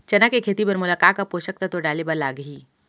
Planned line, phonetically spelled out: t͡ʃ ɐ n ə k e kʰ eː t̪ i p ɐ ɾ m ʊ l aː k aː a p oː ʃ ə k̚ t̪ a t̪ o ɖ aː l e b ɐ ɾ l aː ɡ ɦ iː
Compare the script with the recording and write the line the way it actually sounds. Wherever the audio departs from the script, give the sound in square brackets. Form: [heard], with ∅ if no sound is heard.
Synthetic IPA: t͡ʃ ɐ n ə k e kʰ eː t̪ i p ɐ ɾ m ʊ l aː k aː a p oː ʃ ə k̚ t̪ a t̪ o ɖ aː l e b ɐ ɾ l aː ɡ ɦ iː